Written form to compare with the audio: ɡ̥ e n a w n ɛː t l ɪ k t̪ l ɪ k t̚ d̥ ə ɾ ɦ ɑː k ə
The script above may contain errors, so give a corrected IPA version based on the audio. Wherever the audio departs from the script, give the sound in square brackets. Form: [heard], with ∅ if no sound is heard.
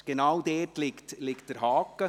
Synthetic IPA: ɡ̥ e n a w [d] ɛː t l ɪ k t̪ l ɪ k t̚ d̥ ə ɾ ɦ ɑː k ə

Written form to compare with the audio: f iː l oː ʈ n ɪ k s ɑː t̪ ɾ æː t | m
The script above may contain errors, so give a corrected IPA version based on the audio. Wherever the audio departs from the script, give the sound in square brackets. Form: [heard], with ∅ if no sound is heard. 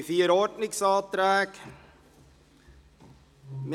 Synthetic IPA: f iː [ɾ] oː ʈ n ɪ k s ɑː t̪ ɾ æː [k] | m

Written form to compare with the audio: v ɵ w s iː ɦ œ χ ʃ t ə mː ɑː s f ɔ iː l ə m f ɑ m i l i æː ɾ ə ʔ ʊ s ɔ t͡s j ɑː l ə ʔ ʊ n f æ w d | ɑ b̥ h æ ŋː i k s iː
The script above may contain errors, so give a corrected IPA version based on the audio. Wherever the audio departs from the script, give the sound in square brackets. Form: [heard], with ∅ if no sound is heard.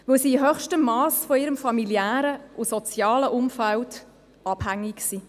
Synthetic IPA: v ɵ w s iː ɦ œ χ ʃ t ə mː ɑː s f ɔ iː [ɾ] ə m f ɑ m i l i æː ɾ ə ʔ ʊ s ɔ t͡s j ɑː l ə ʔ ʊ [m] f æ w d | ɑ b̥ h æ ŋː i k s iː

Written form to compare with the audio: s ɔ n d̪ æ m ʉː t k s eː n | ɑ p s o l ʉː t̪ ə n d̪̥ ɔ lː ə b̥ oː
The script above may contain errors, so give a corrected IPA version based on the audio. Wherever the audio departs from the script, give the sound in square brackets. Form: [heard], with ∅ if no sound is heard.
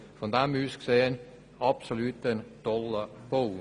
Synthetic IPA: [f] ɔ n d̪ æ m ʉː [s] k s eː n | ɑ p s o l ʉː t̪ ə n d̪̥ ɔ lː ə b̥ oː

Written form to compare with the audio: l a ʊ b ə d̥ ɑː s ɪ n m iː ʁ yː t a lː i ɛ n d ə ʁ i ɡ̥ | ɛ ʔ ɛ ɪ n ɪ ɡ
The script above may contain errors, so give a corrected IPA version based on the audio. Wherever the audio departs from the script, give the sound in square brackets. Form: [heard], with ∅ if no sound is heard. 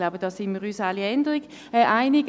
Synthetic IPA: l a ʊ b ə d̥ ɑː s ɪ n m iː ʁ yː [s] a [l] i ɛ n d ə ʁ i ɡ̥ | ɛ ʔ [a] ɪ n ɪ ɡ

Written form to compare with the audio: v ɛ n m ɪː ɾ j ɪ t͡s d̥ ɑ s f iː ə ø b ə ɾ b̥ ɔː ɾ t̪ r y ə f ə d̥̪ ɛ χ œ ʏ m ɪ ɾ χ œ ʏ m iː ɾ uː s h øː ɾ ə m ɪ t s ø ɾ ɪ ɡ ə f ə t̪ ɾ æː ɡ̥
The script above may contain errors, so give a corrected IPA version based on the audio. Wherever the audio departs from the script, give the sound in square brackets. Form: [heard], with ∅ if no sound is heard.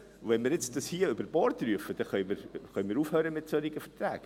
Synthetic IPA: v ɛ n m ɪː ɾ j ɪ t͡s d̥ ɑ s [h] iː ə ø b ə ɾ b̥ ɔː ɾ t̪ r y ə f ə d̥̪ ɛ χ œ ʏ m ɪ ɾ χ œ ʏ m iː ɾ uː [f] h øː ɾ ə m ɪ t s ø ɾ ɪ ɡ ə f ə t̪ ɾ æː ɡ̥

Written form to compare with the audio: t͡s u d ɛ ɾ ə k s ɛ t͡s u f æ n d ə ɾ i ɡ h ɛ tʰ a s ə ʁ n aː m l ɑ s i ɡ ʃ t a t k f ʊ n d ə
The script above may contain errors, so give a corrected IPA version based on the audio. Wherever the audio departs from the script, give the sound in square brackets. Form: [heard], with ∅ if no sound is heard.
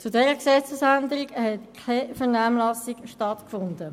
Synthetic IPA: t͡s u d ɛ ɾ ə k s ɛ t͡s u [s] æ n d ə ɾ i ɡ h ɛ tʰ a [f] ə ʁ n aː m l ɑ s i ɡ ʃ t [ɑ] t k f ʊ n d ə

